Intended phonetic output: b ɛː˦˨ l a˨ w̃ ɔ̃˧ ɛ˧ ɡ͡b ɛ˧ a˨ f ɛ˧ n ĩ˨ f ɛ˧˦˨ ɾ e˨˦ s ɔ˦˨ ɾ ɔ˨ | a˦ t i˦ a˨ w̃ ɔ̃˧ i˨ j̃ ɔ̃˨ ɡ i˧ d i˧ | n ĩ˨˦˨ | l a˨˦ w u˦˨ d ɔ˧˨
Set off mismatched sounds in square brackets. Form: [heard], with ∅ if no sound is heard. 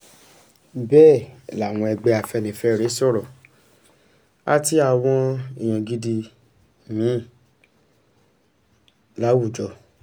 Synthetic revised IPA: b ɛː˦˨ l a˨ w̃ ɔ̃˧ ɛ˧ ɡ͡b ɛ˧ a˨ f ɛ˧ n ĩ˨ f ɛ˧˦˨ ɾ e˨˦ s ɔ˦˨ ɾ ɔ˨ | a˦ t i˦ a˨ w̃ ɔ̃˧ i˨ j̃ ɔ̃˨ ɡ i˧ d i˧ | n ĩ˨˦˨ | l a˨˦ w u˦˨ [d͡ʒ] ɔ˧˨